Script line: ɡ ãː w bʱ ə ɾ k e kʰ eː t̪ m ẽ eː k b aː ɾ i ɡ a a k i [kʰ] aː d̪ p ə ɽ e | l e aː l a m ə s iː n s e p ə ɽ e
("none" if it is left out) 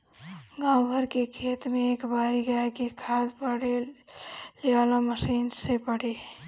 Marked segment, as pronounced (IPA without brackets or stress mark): kʰ